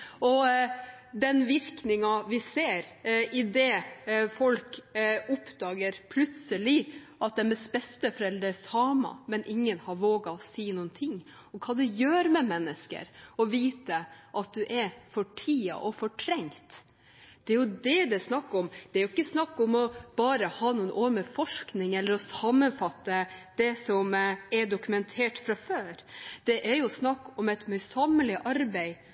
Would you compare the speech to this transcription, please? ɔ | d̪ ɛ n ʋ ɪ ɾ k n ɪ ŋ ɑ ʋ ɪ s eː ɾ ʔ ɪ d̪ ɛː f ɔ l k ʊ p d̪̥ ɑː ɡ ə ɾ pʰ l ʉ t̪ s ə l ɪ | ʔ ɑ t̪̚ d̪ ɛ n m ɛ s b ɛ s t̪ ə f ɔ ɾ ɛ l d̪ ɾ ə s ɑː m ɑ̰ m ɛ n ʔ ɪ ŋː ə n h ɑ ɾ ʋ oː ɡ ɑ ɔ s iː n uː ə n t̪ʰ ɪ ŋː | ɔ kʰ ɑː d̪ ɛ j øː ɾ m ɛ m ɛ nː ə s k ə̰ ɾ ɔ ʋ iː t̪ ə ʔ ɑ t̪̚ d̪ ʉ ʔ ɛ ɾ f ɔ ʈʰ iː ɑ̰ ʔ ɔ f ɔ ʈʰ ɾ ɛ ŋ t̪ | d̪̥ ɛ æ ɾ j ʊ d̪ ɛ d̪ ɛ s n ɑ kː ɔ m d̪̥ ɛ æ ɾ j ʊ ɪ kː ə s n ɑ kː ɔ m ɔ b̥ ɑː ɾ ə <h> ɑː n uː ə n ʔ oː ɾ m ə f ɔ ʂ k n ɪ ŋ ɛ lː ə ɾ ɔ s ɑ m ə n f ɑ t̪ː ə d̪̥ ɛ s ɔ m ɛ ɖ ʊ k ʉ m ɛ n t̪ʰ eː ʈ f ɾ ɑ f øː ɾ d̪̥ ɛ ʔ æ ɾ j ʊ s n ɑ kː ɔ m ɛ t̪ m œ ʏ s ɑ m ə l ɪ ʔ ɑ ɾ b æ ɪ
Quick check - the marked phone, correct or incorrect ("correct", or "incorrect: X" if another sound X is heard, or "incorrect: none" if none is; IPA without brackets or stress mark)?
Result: correct